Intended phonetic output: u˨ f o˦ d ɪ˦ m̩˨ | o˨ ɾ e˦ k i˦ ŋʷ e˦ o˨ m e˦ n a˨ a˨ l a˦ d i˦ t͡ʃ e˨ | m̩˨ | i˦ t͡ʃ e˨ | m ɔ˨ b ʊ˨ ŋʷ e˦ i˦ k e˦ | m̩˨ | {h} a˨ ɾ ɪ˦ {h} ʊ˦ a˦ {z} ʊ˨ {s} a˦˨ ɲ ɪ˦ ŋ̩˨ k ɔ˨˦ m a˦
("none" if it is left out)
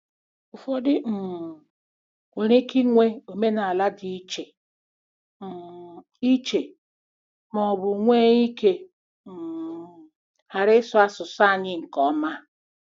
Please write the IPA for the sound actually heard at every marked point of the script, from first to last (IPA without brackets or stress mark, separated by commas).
h, s, s, s